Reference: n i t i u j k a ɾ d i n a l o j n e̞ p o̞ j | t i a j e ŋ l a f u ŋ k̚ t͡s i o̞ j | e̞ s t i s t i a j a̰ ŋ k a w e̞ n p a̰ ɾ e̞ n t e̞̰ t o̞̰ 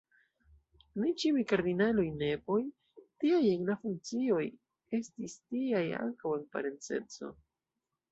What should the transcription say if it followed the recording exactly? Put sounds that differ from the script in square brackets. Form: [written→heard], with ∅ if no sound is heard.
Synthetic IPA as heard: n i [t→t͡ʃ] i u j k a ɾ d i n a l o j n e̞ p o̞ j | t i a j e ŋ l a f u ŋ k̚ t͡s i o̞ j | e̞ s t i s t i a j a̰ ŋ k a w e̞ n p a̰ ɾ e̞ n [t→t͡s] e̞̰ [t→t͡s] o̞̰

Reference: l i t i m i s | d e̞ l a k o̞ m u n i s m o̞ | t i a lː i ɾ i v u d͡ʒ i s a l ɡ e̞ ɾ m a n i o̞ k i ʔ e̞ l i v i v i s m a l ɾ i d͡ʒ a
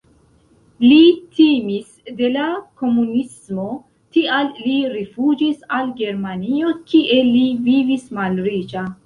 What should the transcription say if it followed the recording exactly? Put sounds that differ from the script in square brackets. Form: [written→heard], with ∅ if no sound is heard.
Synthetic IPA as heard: l i t i m i s | d e̞ l a k o̞ m u n i s m o̞ | t i a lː i ɾ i [v→f] u d͡ʒ i s a l ɡ e̞ ɾ m a n i o̞ k i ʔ e̞ l i v i v i s m a l ɾ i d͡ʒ a

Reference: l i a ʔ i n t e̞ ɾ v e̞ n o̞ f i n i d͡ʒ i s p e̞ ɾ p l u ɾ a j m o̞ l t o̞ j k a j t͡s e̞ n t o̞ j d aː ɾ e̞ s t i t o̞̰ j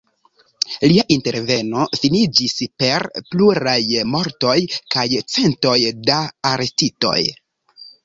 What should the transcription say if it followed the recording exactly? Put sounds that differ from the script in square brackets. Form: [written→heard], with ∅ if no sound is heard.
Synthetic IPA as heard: l i a ʔ i n t e̞ ɾ v e̞ n o̞ f i n i d͡ʒ i s p e̞ ɾ p l u ɾ a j m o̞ [l→ɾ] t o̞ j k a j t͡s e̞ n t o̞ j d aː ɾ e̞ s t i t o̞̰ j

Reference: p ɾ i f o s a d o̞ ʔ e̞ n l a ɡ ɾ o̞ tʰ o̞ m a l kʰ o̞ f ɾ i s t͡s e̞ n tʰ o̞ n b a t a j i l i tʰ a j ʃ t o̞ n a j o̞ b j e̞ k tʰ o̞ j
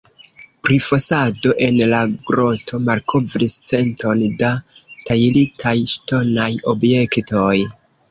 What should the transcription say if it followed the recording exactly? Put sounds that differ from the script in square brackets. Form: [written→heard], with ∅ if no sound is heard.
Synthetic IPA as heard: p ɾ i f o s a d o̞ ʔ e̞ n l a ɡ ɾ o̞ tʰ o̞ m a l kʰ o̞ [f→v] ɾ i s t͡s e̞ n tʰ o̞ n [b→d] a t a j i l i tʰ a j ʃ t o̞ n a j o̞ b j e̞ k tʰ o̞ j

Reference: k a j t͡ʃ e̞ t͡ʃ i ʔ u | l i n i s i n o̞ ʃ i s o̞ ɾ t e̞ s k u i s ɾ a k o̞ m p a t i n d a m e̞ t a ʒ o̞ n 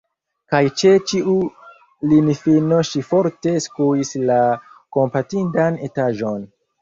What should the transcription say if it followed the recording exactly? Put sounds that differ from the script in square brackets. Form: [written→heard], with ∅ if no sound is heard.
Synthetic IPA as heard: k a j t͡ʃ e̞ t͡ʃ i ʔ u | l i n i [s→f] i n o̞ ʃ i [s→f] o̞ ɾ t e̞ s k u i s [ɾ→l] a k o̞ m p a t i n d a [m→n] e̞ t a ʒ o̞ n

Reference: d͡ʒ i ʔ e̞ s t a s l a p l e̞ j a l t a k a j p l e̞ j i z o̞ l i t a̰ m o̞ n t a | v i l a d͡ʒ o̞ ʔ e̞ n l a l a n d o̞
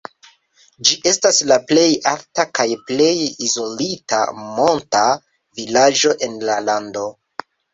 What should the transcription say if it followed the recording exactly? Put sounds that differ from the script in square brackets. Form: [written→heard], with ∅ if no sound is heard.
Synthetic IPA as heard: d͡ʒ i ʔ e̞ s t a s l a p l e̞ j a l t a k a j p l e̞ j i z o̞ l i t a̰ m o̞ n t a | v i l a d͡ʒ o̞ ʔ e̞ n l a l a n d o̞

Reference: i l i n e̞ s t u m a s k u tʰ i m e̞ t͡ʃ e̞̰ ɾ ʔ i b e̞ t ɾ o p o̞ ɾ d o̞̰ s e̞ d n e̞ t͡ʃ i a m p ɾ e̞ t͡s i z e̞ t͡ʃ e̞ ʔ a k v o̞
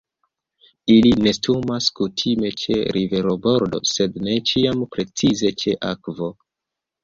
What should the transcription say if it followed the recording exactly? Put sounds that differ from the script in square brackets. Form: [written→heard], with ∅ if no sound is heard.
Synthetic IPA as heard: i l i n e̞ s t u m a s k u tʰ i m e̞ t͡ʃ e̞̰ ɾ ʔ i [b→v] e̞ [t→∅] ɾ o [p→b] o̞ ɾ d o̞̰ s e̞ d n e̞ t͡ʃ i a m p ɾ e̞ t͡s i z e̞ t͡ʃ e̞ ʔ a k v o̞

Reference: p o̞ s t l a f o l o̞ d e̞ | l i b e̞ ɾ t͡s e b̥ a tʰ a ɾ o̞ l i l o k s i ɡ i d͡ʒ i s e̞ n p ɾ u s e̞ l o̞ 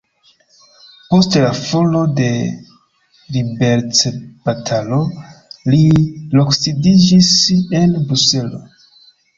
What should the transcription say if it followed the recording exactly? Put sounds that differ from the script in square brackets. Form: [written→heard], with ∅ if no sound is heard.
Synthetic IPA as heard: p o̞ s t l a f o l o̞ d e̞ | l i b e̞ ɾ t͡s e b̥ a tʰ a [ɾ→l] o̞ l i l o k s i [ɡ→d] i d͡ʒ i s e̞ n [p→b] ɾ u s e̞ l o̞

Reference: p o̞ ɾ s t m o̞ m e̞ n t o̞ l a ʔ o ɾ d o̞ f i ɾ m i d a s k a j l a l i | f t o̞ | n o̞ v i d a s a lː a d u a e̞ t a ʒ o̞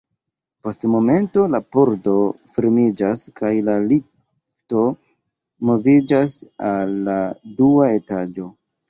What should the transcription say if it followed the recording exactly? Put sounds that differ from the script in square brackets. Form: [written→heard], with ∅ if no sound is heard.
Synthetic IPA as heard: p o̞ [ɾ→∅] s t m o̞ m e̞ n t o̞ l a [ʔ→p] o ɾ d o̞ f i ɾ m i [d→d͡ʒ] a s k a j l a l i | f t o̞ | [n→m] o̞ v i [d→d͡ʒ] a s a lː a d u a e̞ t a [ʒ→d͡ʒ] o̞

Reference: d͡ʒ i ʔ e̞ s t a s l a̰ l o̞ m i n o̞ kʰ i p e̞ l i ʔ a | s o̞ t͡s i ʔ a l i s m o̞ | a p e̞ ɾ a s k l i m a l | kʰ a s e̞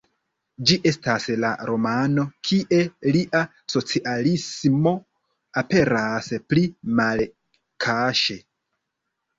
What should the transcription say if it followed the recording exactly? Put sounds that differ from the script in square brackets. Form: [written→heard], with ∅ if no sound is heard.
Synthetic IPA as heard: d͡ʒ i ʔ e̞ s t a s l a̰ [l→ɾ] o̞ m [i→a] n o̞ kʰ i [p→ʔ] e̞ l i ʔ a | s o̞ t͡s i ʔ a l i s m o̞ | a p e̞ ɾ a s [k→p] l i m a l | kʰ a [s→ʃ] e̞

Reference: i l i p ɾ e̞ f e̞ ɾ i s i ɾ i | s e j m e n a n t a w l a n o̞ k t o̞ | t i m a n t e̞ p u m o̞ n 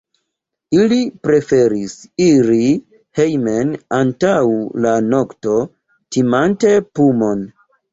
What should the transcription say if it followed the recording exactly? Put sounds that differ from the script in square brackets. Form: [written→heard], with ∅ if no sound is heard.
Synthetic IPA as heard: i l i p ɾ e̞ f e̞ ɾ i s i ɾ i | [s→h] e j m e n a n t a w l a n o̞ k t o̞ | t i m a n t e̞ p u m o̞ n

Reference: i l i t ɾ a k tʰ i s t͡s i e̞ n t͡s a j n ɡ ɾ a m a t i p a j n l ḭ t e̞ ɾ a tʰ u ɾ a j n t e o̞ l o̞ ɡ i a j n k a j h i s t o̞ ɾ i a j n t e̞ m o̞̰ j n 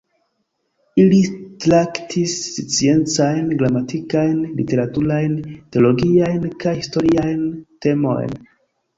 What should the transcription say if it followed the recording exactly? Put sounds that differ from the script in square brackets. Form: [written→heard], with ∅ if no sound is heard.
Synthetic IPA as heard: i l i t ɾ a k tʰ i s t͡s i e̞ n t͡s a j n ɡ ɾ a m a t i [p→k] a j n l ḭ t e̞ ɾ a [tʰ→t] u ɾ a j n t e o̞ l o̞ ɡ i a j n k a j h i s t o̞ ɾ i a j n t e̞ m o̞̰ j n

